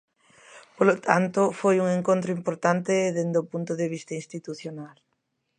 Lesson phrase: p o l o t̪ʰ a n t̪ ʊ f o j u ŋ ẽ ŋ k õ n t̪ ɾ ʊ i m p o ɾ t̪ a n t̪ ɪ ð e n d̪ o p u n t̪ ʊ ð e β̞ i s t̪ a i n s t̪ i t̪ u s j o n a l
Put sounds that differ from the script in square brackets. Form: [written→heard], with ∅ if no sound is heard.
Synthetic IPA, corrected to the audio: p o l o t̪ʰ a n t̪ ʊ f o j u ŋ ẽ ŋ k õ n t̪ ɾ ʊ i m p o ɾ t̪ a n t̪ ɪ ð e n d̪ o p u n t̪ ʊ ð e β̞ i s t̪ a i n s t̪ i t̪ u [s→θ] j o n a l